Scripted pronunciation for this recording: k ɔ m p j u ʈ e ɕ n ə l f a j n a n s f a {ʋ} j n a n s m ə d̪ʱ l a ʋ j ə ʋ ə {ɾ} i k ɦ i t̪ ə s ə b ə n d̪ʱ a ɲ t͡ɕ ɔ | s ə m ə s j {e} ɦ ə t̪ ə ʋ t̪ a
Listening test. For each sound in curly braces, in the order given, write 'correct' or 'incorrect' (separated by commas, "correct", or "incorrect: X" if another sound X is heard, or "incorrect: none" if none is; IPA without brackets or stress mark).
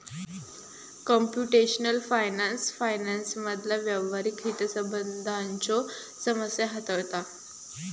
incorrect: none, correct, incorrect: a